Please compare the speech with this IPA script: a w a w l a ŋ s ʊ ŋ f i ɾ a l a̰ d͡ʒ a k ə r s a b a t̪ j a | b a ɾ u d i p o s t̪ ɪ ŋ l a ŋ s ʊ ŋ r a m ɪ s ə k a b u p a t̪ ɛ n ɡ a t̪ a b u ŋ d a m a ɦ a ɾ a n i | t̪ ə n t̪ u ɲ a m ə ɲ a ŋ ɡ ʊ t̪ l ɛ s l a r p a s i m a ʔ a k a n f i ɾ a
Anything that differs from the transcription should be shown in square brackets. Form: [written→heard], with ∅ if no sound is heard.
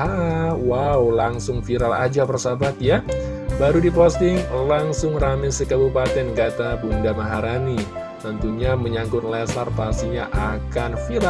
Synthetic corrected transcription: a w a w l a ŋ s ʊ ŋ f i ɾ a l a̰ d͡ʒ a [k→p] ə r s a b a t̪ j a | b a ɾ u d i p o s t̪ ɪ ŋ l a ŋ s ʊ ŋ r a m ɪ s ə k a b u p a t̪ ɛ n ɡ a t̪ a b u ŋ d a m a ɦ a ɾ a n i | t̪ ə n t̪ u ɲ a m ə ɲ a ŋ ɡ ʊ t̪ l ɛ s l a r p a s i [m→ɲ] a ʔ a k a n f i ɾ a